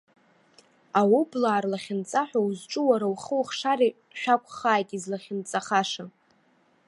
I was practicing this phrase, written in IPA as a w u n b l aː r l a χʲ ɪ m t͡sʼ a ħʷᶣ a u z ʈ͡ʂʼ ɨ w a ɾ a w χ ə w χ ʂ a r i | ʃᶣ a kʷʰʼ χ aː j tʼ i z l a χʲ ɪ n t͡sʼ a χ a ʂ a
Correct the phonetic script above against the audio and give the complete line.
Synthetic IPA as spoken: a w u b l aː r l a χʲ ɪ n t͡sʼ a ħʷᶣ a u z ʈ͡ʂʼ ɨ w a ɾ a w χ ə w χ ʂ a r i | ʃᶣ a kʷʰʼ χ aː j tʼ i z l a χʲ ɪ n t͡sʼ a χ a ʂ a